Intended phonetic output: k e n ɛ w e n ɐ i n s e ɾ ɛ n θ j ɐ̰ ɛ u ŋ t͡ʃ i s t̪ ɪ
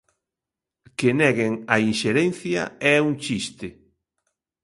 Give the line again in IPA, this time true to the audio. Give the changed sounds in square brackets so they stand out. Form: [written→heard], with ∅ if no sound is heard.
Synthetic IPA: k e n ɛ [w→ɣ] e [n→ŋ] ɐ i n [s→ʃ] e ɾ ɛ n θ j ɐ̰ ɛ u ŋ t͡ʃ i s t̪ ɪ